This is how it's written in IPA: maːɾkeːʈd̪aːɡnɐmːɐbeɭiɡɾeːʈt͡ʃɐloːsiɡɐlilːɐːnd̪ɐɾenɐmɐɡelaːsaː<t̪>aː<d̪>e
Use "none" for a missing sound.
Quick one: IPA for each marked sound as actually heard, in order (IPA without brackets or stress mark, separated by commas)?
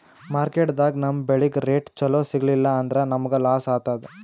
t̪, d̪